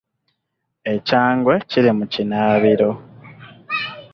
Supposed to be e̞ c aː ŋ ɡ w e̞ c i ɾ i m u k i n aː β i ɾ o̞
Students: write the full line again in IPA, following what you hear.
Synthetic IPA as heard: e̞ c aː ŋ ɡ w e̞ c i ɾ i m u c i n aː β i ɾ o̞